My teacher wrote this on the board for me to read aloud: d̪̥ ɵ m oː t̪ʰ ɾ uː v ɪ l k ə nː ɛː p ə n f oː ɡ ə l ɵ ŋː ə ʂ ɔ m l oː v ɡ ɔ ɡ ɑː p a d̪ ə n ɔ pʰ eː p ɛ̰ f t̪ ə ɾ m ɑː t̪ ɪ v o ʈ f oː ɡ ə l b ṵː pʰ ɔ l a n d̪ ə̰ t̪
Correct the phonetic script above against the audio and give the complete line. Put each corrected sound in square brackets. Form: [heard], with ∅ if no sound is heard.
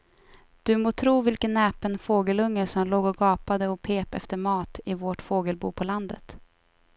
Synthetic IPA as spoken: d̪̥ ɵ m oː t̪ʰ ɾ uː v ɪ l k ə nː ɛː p ə n f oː ɡ ə l ɵ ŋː ə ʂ ɔ m l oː [∅] ɡ ɔ ɡ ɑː p a d̪ ə [∅] ɔ pʰ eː p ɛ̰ f t̪ ə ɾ m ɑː t̪ ɪ v o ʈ f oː ɡ ə l b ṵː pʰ ɔ l a n d̪ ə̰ t̪

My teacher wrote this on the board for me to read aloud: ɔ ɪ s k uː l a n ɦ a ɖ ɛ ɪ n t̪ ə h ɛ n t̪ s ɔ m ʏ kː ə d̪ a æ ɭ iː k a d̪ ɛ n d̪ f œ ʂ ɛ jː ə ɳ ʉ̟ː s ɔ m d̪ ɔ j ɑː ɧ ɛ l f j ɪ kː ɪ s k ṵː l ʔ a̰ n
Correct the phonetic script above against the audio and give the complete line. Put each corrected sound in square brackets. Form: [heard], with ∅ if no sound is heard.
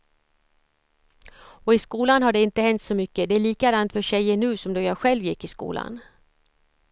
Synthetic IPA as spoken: ɔ ɪ s k uː l a n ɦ a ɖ ɛ ɪ n t̪ ə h ɛ n t̪ s ɔ m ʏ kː ə d̪ [ɛ] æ ɭ iː k a d̪ [a] n [t̪] f œ [ɕ] ɛ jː ə ɳ ʉ̟ː s ɔ m d̪ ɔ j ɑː ɧ ɛ l [v] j ɪ kː ɪ s k ṵː l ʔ a̰ n

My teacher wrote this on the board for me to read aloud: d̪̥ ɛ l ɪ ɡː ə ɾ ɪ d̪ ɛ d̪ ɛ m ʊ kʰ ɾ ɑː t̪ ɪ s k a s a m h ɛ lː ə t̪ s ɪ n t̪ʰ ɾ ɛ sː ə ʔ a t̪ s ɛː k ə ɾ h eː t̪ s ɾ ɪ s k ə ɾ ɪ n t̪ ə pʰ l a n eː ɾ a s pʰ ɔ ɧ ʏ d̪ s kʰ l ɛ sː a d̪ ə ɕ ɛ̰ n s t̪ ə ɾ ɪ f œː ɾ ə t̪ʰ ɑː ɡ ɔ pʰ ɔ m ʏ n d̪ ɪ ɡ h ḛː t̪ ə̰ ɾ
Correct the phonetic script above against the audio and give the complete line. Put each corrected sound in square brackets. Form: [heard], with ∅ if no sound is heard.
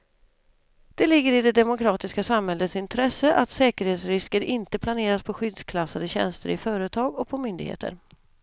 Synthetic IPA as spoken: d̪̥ ɛ l ɪ ɡː ə ɾ ɪ d̪ ɛ d̪ ɛ m ʊ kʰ ɾ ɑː t̪ ɪ s k a s a m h ɛ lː ə t̪ s ɪ n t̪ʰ ɾ ɛ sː ə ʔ a t̪ s ɛː k ə ɾ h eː t̪ s ɾ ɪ s k ə ɾ ɪ n t̪ ə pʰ l a n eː ɾ a s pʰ ɔ ɧ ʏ d̪ s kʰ l [a] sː a d̪ ə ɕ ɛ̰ n s t̪ ə ɾ ɪ f œː ɾ ə t̪ʰ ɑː ɡ ɔ pʰ ɔ m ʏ n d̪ ɪ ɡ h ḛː t̪ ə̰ ɾ

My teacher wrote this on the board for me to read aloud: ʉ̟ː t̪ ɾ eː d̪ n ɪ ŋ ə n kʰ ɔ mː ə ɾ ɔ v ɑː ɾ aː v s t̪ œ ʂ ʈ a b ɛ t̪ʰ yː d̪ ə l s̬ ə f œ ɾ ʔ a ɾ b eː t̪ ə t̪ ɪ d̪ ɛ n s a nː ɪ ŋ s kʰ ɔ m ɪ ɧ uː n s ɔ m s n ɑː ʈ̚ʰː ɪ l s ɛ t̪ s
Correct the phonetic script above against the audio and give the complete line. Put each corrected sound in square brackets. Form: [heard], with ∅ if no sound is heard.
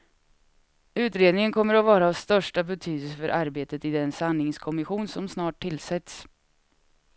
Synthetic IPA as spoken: ʉ̟ː t̪ ɾ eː d̪ n ɪ ŋ ə n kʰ ɔ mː ə ɾ ɔ v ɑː ɾ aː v s t̪ œ ʂ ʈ a b ɛ t̪ʰ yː d̪ ə l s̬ ə f œ ɾ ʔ a ɾ b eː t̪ ə t̪ ɪ d̪ ɛ n s a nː ɪ ŋ s kʰ ɔ m ɪ ɧ uː n s ɔ m s n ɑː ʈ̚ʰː ɪ l s ɛ t̪ s

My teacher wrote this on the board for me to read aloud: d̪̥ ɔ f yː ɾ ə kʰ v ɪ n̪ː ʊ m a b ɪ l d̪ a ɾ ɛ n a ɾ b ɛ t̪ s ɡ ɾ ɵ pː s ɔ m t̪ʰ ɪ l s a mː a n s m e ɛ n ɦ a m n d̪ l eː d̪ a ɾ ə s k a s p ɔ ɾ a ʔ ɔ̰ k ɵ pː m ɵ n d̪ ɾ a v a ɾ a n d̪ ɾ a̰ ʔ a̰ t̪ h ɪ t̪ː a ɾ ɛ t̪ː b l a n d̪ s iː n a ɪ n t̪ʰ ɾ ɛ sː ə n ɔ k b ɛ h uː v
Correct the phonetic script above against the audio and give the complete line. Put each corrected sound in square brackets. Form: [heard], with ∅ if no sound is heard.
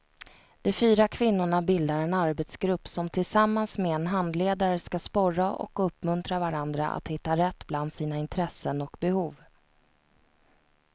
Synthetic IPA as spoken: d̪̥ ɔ f yː ɾ [a] kʰ v ɪ n̪ː ʊ [ɳ] a b ɪ l d̪ a ɾ ɛ n a ɾ b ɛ t̪ s ɡ ɾ ɵ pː s ɔ m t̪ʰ ɪ l s a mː a n s m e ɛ n ɦ a [∅] n d̪ l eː d̪ a ɾ ə s k a s p ɔ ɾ a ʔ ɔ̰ k ɵ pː m ɵ n [t̪] ɾ a v a ɾ a n d̪ ɾ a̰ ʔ a̰ t̪ h ɪ t̪ː a ɾ ɛ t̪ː b l a n d̪ s iː n a ɪ n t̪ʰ ɾ ɛ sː ə n ɔ k b ɛ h uː v

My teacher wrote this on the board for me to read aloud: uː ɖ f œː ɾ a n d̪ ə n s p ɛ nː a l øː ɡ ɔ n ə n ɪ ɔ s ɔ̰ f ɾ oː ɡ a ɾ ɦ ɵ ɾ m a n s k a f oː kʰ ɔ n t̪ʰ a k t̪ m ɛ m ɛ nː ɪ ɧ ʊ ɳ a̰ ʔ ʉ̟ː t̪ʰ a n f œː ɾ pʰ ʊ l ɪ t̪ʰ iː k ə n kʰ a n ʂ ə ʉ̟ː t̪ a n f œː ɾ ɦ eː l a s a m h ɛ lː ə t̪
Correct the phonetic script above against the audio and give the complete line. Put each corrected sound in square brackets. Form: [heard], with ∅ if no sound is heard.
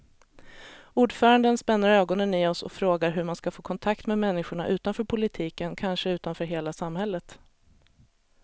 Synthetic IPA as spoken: uː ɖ f œː ɾ a n d̪ ə n s p ɛ nː a [ɾ] øː ɡ ɔ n ə n ɪ ɔ s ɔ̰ f ɾ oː ɡ a ɾ ɦ ɵ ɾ m a n s k a f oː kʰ ɔ n t̪ʰ a k t̪ m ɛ m ɛ nː ɪ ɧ ʊ ɳ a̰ ʔ ʉ̟ː [t̪] a n f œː ɾ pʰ ʊ l ɪ t̪ʰ iː k ə n kʰ a n ʂ ə ʉ̟ː t̪ a n f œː ɾ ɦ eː l a s a m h ɛ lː ə t̪

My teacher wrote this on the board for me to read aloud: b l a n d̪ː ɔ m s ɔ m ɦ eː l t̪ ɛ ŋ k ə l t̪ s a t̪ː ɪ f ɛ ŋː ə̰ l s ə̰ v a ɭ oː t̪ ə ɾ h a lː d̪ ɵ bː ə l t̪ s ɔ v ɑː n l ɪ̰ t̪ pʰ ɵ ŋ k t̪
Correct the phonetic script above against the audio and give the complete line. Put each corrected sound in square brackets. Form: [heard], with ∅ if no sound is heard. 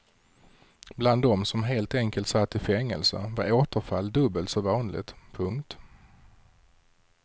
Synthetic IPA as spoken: b l a n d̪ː ɔ m s ɔ m ɦ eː l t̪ ɛ ŋ k ə l t̪ s a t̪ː ɪ f ɛ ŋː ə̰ l s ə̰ v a [ɾ] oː t̪ ə ɾ [f] a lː d̪ ɵ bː ə l t̪ s ɔ v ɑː n l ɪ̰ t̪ pʰ ɵ ŋ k t̪

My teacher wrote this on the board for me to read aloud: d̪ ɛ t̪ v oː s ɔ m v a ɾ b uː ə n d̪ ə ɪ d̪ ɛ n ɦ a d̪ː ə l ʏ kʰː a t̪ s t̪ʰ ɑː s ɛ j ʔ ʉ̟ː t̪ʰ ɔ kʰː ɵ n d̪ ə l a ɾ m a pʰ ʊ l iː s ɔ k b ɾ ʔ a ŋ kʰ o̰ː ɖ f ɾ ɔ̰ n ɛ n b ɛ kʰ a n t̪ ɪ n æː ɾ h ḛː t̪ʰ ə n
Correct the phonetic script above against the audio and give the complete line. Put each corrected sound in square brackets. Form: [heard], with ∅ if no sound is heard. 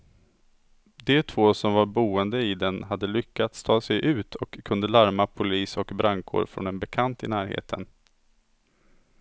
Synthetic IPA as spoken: d̪ ɛ [t̪ʰ] v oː s ɔ m v a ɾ b uː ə n d̪ ə ɪ d̪ ɛ n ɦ a d̪ː ə l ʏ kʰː a t̪ s t̪ʰ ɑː s ɛ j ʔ ʉ̟ː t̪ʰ ɔ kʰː ɵ n d̪ ə l a ɾ m a pʰ ʊ l iː s ɔ k b ɾ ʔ a ŋ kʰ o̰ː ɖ f ɾ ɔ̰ n ɛ n b ɛ kʰ a n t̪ ɪ n æː ɾ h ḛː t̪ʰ ə n

